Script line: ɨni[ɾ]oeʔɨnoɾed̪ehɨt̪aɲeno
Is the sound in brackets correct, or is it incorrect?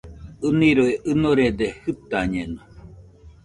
correct